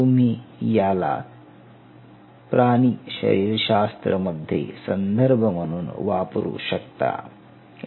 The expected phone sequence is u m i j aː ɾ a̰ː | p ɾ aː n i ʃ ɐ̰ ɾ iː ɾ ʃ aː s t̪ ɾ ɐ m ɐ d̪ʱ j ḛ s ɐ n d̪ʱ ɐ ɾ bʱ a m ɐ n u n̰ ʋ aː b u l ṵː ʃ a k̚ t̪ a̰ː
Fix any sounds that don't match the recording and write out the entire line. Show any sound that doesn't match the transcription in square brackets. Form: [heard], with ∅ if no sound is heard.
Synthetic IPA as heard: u m i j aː [l] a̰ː | p ɾ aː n i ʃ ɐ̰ ɾ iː ɾ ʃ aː s t̪ ɾ ɐ m ɐ d̪ʱ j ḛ s ɐ n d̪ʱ ɐ ɾ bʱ [ɐ] m ɐ n u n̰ ʋ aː [p] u [ɾ] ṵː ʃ [ɐ] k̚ t̪ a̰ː

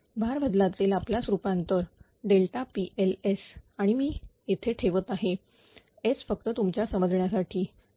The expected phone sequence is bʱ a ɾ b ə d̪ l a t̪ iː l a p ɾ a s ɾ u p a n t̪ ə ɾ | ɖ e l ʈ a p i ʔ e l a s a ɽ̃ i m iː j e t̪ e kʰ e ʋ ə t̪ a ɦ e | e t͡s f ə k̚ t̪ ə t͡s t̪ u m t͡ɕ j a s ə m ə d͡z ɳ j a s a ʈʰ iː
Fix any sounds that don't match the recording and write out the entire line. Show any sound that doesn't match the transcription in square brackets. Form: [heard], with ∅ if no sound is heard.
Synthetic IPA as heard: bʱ a ɾ b ə d̪ l a t̪ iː l a p [l] a s ɾ u p a n t̪ ə ɾ | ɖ e l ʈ a p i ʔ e l [e] s a ɽ̃ i m iː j e [t̪ʰ] e [ʈʰ] e ʋ ə t̪ a ɦ e | e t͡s f ə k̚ t̪ ə [∅] t̪ u m t͡ɕ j a s ə m ə d͡z ɳ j a s a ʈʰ iː

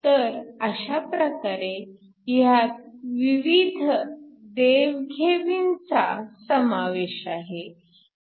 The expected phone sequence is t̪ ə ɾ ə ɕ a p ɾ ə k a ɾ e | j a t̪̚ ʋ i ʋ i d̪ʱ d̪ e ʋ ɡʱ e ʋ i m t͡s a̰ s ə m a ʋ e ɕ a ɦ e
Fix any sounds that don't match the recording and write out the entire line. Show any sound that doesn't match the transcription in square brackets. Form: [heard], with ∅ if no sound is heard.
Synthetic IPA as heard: t̪ ə ɾ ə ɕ a p ɾ ə k a ɾ e | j a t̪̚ ʋ i ʋ i d̪ʱ d̪ e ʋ ɡʱ e ʋ i [n] t͡s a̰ s ə m a ʋ e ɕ a ɦ e

